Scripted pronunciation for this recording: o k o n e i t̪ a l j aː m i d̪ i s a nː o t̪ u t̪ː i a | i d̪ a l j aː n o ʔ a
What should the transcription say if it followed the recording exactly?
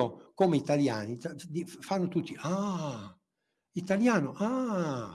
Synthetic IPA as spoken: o k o m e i t̪ a l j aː n i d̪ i f a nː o t̪ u t̪ː i a | i t̪ a l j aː n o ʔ a